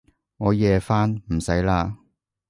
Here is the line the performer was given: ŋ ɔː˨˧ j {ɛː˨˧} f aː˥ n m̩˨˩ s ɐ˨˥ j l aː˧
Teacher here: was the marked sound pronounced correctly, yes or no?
yes